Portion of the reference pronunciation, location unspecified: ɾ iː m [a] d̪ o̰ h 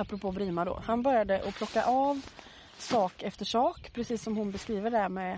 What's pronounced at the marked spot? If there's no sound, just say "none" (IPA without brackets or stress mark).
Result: a